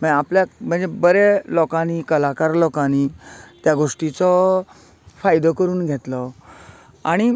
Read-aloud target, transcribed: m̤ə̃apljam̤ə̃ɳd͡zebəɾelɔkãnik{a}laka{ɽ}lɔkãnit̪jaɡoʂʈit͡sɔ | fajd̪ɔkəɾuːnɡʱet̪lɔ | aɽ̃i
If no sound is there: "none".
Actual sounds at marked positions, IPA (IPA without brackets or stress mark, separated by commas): ə, ɾ